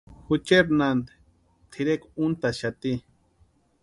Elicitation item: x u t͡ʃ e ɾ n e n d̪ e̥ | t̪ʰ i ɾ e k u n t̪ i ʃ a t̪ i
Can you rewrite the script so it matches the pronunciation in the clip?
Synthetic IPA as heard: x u t͡ʃ e ɾ n a n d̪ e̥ | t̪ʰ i ɾ e k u n t̪ a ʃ a t̪ i